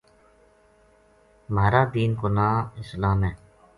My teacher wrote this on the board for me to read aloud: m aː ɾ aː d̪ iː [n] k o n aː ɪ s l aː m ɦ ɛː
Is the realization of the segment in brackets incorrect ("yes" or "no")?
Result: no